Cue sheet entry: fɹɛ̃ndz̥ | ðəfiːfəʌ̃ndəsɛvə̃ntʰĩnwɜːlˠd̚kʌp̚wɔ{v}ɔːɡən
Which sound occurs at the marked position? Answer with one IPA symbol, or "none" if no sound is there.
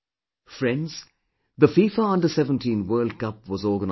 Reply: z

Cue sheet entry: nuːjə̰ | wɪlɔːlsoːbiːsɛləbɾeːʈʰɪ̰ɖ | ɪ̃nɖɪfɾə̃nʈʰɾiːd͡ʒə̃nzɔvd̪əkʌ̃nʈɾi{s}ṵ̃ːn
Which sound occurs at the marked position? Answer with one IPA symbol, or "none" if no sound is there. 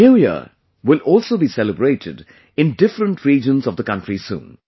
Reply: s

